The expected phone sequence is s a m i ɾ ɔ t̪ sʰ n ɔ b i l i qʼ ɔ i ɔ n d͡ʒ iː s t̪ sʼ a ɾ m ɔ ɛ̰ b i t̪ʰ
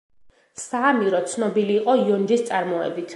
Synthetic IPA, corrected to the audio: s a m i ɾ ɔ t̪ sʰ n ɔ b i l iː qʼ ɔ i ɔ n d͡ʒ i s t̪ sʼ a ɾ m ɔ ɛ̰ b i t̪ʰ